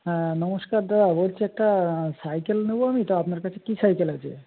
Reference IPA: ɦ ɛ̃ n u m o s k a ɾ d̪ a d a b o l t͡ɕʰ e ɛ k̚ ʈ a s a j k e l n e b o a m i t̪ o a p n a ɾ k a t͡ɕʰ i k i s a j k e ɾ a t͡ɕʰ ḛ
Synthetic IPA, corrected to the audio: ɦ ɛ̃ n ɔ m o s k a ɾ d̪ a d a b o l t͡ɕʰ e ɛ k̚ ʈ a s a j k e l n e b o a m i t̪ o a p n a ɾ k a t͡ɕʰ e k i s a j k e l a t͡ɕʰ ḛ